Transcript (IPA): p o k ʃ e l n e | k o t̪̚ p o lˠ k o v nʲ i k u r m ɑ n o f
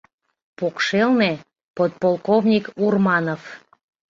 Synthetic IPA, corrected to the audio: p o k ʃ e l n e | p o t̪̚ p o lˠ k o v nʲ i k u r m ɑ n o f